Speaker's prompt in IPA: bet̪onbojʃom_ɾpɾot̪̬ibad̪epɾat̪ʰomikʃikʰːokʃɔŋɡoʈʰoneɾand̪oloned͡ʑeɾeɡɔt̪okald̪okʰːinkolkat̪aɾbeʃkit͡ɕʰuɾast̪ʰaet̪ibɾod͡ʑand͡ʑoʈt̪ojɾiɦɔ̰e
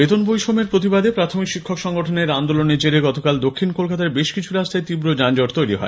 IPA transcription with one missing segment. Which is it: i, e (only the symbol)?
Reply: e